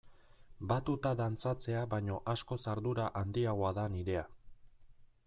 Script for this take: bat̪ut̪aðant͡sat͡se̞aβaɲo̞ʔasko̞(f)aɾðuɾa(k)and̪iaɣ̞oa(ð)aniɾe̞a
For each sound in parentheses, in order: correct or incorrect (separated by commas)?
incorrect, incorrect, correct